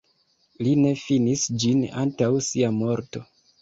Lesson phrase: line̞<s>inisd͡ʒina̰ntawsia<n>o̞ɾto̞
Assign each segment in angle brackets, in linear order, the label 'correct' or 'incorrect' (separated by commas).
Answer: incorrect, incorrect